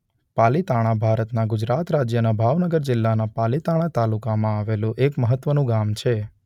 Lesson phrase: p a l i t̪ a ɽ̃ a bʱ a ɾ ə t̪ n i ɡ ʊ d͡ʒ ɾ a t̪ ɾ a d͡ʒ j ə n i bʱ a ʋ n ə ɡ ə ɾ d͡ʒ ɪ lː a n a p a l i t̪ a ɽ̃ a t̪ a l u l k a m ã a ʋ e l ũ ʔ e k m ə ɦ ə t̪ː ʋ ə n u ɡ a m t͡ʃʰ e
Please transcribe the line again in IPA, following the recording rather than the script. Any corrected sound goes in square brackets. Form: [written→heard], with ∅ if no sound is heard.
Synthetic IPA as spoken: p a l i t̪ a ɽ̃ a bʱ a ɾ ə t̪ n [i→a] ɡ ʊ d͡ʒ ɾ a t̪ ɾ a d͡ʒ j ə n [i→a] bʱ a ʋ n ə ɡ ə ɾ d͡ʒ ɪ lː a n a p a l i t̪ a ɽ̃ a t̪ a l u [l→∅] k a m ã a ʋ e l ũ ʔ e k m ə ɦ ə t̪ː ʋ ə n [u→ũ] ɡ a m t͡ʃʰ e

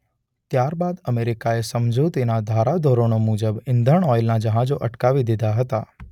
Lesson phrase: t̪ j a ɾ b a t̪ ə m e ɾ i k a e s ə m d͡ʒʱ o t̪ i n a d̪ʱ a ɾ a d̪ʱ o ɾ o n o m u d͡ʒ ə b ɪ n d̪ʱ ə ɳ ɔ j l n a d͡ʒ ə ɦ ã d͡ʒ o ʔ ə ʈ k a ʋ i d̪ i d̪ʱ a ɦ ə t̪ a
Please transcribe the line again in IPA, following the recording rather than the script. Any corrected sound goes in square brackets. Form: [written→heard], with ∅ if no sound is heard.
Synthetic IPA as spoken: t̪ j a ɾ b a [t̪→d̪] ə m e ɾ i k a e s ə m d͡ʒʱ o t̪ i n a d̪ʱ a ɾ a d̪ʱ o ɾ o n o m u d͡ʒ ə b ɪ n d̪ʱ ə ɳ ɔ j l n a d͡ʒ ə ɦ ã d͡ʒ o ʔ ə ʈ k a ʋ i d̪ i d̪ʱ a ɦ ə t̪ a

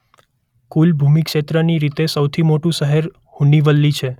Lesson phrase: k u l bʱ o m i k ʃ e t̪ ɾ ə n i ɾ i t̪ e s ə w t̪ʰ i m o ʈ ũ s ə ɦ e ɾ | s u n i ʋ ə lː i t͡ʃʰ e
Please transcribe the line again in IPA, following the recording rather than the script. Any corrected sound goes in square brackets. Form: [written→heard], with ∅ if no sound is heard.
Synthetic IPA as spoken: k u l bʱ [o→u] m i k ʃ e t̪ ɾ ə n i ɾ i t̪ e s ə w t̪ʰ i m o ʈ ũ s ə ɦ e ɾ | [s→h] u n i ʋ ə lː i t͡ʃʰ e

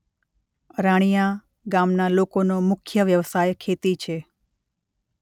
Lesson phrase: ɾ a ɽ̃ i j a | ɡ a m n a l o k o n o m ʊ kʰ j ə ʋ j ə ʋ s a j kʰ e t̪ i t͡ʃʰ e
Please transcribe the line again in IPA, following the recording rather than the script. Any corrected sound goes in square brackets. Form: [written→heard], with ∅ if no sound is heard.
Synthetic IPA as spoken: ɾ a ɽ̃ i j a | ɡ a m n a l o k o n o m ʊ kʰ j ə ʋ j ə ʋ s a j kʰ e t̪ i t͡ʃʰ e

